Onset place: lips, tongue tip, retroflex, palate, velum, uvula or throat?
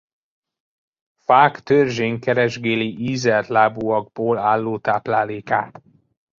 lips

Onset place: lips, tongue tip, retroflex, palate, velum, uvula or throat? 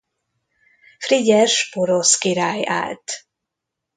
lips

